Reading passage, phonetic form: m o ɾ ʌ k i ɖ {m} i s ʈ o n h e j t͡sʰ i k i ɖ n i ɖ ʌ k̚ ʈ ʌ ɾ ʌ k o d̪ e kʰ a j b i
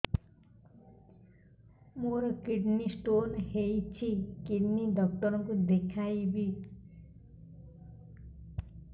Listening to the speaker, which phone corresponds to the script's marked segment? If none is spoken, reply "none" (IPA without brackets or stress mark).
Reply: n